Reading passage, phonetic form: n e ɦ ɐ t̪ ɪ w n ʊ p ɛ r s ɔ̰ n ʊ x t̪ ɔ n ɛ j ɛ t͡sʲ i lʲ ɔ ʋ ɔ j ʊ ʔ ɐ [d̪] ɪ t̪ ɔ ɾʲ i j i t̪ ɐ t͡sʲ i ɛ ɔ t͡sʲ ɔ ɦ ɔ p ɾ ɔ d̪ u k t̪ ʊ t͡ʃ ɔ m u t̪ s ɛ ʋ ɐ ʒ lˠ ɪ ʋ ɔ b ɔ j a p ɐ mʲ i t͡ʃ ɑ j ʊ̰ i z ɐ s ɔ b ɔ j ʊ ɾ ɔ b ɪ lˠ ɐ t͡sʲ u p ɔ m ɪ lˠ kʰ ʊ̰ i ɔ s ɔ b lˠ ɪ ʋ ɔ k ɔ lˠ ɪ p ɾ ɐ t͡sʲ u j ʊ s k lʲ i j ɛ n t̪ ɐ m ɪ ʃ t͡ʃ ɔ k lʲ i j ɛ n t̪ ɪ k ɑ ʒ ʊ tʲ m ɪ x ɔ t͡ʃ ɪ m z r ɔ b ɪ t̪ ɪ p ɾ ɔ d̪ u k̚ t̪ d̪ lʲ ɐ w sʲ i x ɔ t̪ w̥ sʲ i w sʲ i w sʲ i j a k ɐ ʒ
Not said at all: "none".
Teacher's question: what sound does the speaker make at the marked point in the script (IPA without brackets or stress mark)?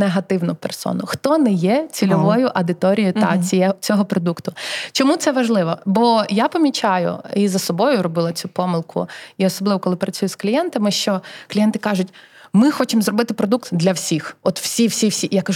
d̪